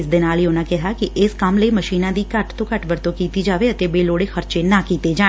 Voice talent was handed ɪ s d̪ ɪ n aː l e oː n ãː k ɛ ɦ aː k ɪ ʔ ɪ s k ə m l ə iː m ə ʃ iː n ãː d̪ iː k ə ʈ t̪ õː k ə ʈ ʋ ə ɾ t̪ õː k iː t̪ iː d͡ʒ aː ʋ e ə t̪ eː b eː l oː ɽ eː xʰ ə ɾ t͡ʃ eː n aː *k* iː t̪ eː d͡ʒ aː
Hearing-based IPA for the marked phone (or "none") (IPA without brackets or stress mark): k